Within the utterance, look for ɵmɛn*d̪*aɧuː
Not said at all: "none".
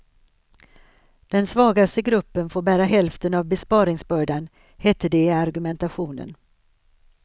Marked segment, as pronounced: t̪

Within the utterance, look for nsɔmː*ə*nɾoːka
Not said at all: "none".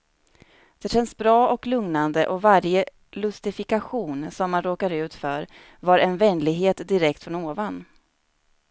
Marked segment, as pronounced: a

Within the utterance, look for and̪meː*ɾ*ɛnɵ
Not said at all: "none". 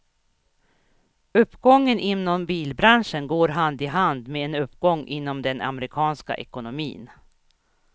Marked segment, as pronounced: none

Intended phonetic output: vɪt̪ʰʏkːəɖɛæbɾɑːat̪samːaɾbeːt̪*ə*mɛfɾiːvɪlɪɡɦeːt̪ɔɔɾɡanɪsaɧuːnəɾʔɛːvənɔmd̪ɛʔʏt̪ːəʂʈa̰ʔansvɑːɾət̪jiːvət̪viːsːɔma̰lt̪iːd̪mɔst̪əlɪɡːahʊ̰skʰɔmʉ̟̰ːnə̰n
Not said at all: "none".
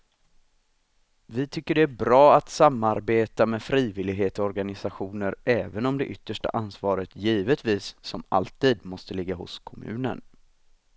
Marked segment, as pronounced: a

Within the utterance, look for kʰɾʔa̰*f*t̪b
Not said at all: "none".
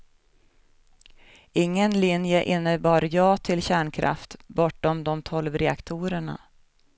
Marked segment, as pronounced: f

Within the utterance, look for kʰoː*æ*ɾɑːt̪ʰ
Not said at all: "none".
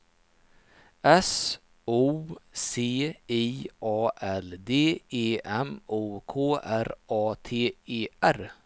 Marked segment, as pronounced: æ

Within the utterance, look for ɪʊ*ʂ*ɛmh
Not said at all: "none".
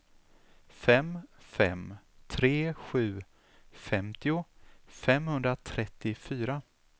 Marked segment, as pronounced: f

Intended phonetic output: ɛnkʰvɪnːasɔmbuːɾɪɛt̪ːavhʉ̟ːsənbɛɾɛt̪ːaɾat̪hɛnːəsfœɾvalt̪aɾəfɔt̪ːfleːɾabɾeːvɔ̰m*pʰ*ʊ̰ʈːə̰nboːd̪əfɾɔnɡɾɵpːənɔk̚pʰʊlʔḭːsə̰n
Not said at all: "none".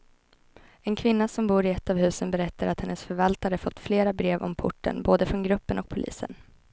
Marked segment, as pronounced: pʰ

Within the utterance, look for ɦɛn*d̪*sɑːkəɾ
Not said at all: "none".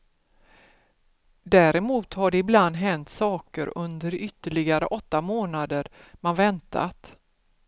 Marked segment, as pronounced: t̪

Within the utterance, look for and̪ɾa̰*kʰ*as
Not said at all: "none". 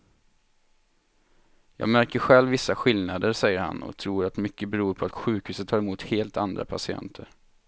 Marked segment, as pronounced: pʰ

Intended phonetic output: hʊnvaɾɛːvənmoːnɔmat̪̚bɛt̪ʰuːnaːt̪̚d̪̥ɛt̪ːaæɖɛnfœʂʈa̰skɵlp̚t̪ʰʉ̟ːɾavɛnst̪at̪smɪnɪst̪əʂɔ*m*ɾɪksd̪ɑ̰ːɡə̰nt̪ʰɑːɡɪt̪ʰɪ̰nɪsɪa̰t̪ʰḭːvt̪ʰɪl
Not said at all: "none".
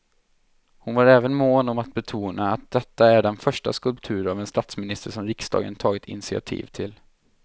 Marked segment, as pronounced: m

